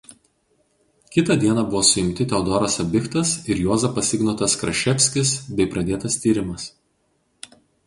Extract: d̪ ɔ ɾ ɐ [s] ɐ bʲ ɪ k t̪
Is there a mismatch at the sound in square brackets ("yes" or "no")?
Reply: no